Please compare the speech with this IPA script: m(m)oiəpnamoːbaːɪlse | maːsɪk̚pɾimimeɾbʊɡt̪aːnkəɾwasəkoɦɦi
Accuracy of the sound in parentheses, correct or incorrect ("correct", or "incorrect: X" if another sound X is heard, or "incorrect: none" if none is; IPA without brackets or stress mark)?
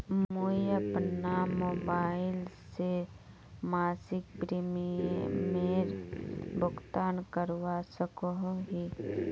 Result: correct